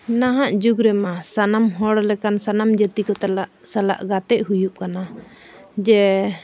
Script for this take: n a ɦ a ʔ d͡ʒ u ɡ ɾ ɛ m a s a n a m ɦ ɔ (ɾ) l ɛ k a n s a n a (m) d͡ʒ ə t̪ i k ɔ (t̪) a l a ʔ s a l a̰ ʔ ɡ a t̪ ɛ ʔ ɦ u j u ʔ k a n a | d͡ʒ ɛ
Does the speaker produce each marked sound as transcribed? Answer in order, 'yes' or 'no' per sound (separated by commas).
no, yes, yes